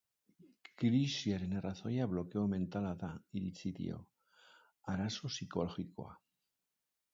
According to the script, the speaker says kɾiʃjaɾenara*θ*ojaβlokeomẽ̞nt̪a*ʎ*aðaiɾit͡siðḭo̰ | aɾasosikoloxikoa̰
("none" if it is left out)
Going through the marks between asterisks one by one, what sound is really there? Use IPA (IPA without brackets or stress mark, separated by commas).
θ, l